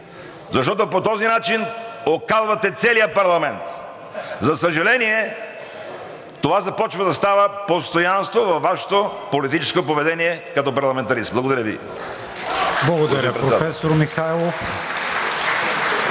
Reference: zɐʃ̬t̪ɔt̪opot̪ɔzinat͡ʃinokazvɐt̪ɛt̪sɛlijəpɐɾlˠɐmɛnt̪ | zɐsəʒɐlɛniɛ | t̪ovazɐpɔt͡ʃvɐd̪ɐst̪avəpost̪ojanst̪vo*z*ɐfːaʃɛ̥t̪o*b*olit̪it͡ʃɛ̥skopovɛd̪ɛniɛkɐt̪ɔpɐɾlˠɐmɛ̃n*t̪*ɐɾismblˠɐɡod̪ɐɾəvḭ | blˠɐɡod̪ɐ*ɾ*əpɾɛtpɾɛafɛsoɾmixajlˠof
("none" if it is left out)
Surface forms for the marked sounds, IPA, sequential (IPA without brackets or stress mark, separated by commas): v, p, t̪, ɾ